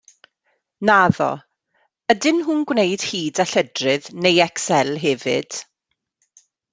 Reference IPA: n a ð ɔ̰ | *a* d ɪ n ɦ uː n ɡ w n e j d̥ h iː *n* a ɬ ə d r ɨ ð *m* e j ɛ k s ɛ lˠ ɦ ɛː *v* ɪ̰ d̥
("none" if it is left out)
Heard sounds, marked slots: ə, d, n, v

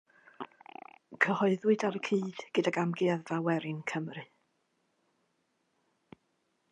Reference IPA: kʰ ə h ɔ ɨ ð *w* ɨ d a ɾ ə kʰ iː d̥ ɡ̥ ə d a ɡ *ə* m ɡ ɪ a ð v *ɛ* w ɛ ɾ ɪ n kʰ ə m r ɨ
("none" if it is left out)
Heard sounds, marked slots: w, a, a

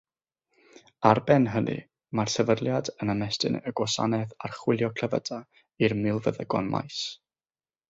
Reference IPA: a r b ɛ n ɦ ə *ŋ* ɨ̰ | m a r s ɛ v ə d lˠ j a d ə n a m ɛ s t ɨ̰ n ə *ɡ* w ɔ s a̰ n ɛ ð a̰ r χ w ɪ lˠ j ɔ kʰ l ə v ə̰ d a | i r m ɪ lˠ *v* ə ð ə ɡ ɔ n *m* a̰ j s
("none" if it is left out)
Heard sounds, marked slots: n, ɡ, v, m

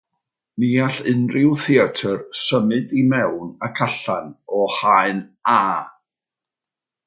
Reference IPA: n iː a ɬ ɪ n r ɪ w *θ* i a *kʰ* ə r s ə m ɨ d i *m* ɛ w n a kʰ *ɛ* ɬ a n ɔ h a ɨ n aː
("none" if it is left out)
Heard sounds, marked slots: θ, tʰ, m, a

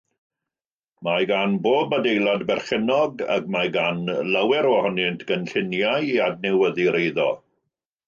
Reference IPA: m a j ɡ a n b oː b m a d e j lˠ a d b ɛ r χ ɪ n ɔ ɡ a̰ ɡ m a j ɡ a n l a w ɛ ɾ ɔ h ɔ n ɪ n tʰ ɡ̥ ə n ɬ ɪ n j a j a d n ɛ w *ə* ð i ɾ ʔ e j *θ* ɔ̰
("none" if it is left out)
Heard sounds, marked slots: ə, ð

